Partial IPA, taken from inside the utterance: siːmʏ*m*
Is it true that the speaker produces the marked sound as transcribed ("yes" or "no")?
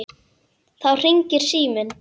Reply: no